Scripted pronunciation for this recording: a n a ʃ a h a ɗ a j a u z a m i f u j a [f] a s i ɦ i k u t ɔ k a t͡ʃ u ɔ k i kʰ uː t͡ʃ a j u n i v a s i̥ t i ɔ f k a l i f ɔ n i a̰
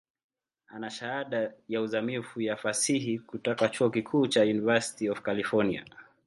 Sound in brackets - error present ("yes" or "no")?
no